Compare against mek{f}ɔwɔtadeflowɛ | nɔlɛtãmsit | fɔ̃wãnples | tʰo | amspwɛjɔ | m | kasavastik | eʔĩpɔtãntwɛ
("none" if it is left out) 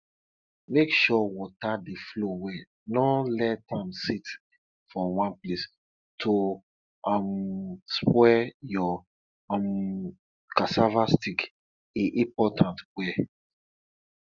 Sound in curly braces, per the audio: ʃ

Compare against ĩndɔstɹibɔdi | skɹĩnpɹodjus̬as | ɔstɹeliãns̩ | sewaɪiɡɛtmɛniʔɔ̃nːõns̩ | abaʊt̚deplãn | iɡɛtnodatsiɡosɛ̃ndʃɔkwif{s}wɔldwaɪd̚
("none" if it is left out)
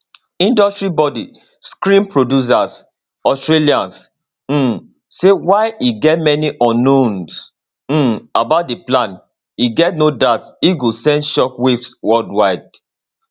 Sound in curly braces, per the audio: s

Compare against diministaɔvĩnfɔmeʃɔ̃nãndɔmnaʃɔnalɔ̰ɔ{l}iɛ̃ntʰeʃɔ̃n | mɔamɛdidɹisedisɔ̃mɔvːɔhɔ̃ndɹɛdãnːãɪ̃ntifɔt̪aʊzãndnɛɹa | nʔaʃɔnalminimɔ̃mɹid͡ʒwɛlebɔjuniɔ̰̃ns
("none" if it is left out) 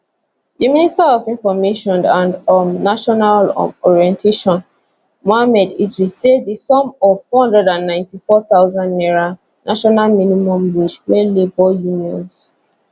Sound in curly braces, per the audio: ɹ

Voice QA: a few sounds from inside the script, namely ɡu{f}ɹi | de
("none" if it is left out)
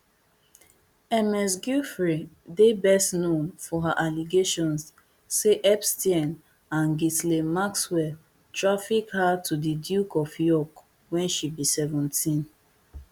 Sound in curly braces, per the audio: f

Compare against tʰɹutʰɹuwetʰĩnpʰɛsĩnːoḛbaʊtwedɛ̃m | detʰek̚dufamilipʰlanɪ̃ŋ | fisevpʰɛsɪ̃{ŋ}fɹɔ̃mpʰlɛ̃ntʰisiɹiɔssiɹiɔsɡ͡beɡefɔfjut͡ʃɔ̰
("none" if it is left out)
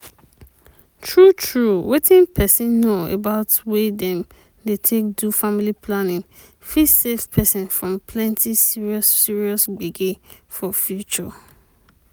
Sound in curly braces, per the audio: n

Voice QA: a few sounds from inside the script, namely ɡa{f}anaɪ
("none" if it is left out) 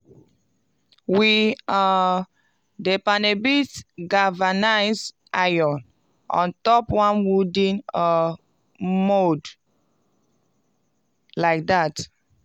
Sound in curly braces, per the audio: v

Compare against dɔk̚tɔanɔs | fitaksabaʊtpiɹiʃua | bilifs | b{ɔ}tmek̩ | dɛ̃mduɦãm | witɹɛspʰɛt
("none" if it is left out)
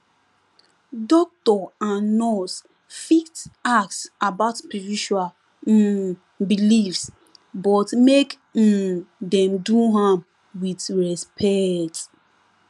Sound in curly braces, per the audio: ɔ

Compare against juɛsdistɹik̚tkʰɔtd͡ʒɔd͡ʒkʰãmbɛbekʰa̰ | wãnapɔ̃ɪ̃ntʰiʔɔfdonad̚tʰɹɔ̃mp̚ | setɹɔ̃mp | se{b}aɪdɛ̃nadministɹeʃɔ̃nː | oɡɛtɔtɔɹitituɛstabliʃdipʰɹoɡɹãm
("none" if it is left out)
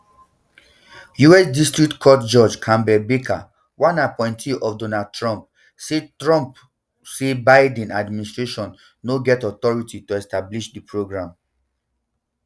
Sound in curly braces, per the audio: b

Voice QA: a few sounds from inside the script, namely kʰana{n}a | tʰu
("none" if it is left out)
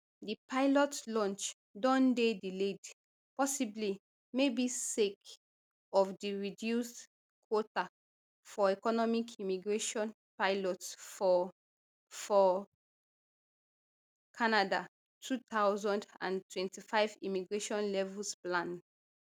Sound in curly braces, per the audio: d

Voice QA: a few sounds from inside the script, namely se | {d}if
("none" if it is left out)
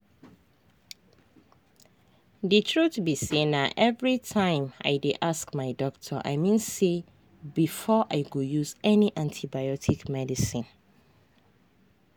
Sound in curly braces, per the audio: b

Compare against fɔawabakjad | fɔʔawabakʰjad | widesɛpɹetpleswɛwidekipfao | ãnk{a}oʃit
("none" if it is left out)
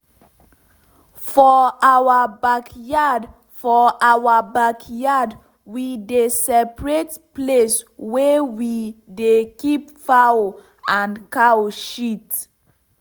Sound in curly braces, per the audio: a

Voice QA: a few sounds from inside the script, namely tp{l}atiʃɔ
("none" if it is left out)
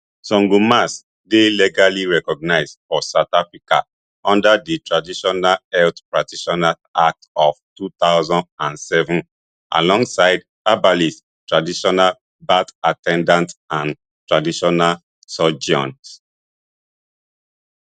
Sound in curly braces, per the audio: ɹ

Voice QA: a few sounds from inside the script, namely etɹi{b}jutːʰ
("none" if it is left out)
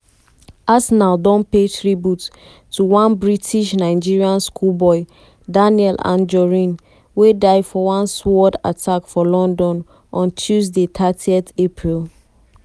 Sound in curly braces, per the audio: b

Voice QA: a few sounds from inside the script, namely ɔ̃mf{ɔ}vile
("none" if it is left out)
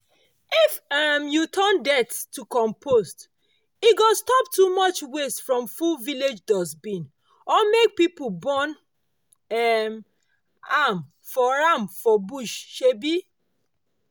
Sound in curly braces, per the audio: u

